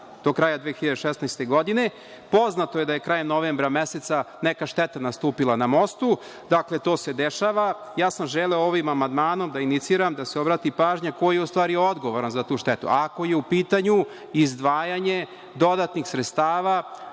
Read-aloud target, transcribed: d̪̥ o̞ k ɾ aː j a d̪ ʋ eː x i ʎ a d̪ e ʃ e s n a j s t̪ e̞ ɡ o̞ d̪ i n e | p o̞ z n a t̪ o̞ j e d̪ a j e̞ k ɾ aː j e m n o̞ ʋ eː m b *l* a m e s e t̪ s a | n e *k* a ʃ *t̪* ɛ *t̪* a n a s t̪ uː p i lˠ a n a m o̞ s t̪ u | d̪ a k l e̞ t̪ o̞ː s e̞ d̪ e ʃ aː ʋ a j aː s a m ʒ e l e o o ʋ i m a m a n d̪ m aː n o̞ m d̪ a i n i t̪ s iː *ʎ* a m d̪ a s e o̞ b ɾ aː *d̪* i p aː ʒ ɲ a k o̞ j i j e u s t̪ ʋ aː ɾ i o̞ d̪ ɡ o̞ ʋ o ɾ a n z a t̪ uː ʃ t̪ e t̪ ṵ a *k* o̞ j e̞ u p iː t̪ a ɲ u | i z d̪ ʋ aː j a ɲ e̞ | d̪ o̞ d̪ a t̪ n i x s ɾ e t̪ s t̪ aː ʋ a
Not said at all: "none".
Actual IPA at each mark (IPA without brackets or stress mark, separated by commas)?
ɾ, k, t̪, t̪, ɾ, t̪, k